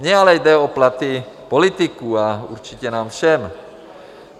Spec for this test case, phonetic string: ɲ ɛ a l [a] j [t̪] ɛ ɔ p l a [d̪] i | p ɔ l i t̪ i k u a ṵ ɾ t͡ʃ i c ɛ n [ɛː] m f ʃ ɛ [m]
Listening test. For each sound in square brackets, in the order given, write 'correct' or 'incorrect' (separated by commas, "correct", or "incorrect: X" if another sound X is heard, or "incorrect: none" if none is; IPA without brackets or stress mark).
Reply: incorrect: ɛ, incorrect: d̪, incorrect: t̪, incorrect: aː, correct